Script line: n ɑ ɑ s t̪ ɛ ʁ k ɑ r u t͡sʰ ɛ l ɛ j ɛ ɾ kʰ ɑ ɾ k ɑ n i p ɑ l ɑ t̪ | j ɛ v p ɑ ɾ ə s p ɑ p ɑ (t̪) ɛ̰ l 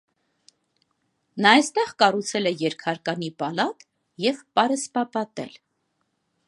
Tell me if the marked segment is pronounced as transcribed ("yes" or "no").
yes